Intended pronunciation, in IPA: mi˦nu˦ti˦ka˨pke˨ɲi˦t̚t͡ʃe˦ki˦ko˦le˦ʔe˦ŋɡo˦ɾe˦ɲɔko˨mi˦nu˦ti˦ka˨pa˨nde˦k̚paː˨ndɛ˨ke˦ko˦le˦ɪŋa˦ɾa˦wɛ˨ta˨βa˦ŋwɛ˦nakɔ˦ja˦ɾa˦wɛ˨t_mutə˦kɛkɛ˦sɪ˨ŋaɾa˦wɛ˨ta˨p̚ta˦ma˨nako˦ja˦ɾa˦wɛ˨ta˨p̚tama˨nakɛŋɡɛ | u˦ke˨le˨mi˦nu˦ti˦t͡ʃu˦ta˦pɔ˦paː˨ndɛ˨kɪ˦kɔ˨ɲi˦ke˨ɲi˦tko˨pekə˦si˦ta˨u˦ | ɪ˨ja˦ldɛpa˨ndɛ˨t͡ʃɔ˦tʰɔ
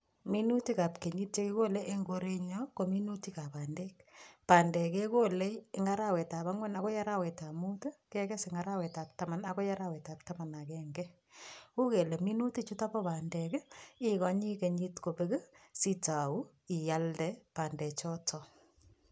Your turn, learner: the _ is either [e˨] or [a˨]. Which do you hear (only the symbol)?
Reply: a˨